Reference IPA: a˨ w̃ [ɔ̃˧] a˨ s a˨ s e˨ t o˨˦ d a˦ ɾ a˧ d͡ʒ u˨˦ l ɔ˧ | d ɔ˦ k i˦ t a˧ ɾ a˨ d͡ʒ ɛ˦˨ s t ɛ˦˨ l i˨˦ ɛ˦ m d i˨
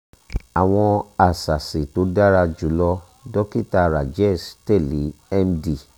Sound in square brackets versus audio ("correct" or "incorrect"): correct